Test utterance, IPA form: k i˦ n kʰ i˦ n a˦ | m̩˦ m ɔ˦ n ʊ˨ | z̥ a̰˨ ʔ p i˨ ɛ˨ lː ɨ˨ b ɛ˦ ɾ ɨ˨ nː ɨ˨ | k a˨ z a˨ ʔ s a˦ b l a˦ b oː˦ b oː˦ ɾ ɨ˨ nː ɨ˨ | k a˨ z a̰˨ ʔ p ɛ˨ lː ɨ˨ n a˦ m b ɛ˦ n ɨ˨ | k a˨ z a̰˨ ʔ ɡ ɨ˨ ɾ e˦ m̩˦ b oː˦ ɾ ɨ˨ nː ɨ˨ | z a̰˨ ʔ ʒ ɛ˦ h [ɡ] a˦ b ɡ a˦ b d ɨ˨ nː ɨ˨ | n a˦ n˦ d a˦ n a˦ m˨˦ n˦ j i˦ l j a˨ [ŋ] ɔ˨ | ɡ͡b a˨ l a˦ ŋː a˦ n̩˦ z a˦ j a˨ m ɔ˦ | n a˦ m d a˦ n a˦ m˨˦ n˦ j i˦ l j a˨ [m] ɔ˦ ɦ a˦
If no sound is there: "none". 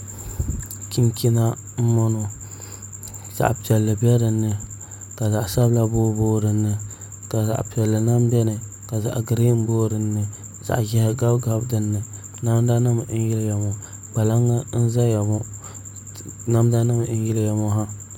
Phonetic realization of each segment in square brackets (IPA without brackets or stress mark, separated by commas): ɡ, m, m